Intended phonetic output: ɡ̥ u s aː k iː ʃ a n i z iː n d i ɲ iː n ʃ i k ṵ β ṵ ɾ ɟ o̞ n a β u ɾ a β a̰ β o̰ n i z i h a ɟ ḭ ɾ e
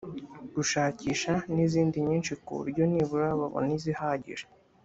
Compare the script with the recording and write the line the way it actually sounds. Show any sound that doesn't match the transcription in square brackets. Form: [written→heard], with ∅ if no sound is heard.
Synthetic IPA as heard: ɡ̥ u [s→ʃ] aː [k→c] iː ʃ a n i z iː n d i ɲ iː n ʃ i k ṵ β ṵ ɾ ɟ o̞ n [a→i] β u ɾ a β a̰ β o̰ n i z i h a ɟ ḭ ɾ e